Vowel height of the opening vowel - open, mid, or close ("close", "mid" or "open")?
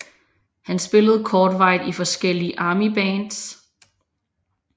open